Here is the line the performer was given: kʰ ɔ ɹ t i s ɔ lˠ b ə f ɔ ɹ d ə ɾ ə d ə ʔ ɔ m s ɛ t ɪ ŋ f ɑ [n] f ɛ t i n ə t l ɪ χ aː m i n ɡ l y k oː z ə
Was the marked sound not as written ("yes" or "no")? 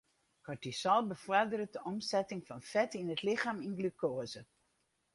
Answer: no